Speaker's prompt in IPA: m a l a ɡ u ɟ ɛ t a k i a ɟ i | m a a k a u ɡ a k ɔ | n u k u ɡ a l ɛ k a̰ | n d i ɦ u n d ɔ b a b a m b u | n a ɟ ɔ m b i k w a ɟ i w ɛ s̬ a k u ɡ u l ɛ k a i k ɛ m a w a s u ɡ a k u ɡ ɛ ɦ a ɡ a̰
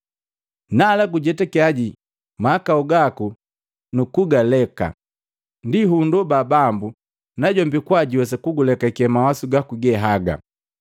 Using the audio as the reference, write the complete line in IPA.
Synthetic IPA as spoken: n a l a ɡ u ɟ ɛ t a k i a ɟ i | m a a k a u ɡ a k u | n u k u ɡ a l ɛ k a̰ | n d i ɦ u n d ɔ b a b a m b u | n a ɟ ɔ m b i k w a ɟ i w ɛ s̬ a k u ɡ u l ɛ k a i k ɛ m a w a s u ɡ a k u ɡ ɛ ɦ a ɡ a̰